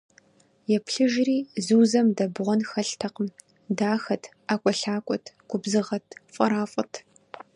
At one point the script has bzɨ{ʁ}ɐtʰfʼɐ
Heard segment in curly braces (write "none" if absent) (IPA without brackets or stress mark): ʁ